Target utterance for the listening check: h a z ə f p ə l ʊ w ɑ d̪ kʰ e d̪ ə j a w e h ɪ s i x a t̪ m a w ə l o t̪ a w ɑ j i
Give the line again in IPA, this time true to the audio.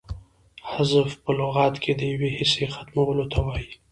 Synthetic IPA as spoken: h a z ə f p ə l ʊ ɣ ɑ t̪ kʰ e d̪ ə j a w e h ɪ s e x a t̪ m a w ə l o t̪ a w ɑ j i